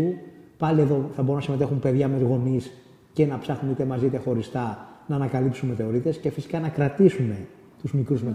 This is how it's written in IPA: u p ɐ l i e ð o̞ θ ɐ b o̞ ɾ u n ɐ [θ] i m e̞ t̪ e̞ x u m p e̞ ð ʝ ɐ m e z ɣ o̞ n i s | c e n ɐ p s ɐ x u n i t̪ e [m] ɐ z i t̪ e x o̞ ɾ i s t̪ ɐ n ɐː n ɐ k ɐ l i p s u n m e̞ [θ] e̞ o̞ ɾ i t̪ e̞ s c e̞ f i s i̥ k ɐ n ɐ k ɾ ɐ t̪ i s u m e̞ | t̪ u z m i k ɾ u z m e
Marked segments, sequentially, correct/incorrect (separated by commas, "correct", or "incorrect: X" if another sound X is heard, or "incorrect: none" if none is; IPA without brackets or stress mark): incorrect: s, correct, correct